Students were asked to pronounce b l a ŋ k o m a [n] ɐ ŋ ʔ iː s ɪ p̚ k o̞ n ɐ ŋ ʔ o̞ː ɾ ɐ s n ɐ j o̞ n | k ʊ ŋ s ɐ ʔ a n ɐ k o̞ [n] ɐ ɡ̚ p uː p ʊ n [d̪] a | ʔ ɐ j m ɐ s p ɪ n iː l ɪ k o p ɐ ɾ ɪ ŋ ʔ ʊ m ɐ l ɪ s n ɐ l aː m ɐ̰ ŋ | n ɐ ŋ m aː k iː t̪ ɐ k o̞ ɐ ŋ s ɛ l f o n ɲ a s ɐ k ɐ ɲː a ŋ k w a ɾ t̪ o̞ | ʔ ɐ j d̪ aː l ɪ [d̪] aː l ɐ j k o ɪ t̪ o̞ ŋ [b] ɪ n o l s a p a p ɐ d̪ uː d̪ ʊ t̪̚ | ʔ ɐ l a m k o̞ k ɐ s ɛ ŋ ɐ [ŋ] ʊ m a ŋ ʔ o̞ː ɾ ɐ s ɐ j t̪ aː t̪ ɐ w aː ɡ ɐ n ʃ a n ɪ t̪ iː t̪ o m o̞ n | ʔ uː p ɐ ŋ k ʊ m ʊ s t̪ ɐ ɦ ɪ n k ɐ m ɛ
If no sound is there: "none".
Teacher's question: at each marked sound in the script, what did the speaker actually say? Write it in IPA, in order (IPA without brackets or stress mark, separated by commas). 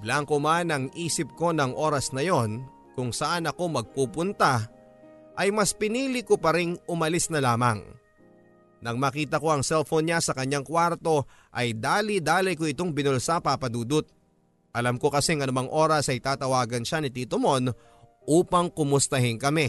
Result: n, m, t̪, d̪, b, n